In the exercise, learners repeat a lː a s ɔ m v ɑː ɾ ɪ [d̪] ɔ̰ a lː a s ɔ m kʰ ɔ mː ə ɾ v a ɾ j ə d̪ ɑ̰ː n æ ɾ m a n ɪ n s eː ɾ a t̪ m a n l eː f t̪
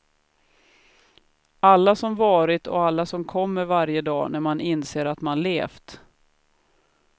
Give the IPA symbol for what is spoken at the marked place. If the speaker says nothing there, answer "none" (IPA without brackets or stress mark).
t̪